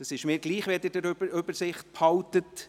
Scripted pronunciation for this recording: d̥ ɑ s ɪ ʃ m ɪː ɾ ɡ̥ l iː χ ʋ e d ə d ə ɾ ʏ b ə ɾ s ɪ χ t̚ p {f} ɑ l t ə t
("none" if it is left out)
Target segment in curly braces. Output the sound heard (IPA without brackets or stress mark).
h